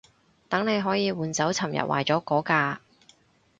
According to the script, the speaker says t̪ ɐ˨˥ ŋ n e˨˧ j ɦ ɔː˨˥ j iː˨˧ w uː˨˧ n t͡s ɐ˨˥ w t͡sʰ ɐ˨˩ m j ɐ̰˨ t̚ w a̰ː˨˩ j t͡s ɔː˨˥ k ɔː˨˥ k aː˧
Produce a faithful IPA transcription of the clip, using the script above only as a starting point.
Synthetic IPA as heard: t̪ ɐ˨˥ ŋ n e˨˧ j ɦ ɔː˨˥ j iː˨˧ w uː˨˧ n t͡s ɐ˨˥ w t͡sʰ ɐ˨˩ m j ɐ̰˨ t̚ w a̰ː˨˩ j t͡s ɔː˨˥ k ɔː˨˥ k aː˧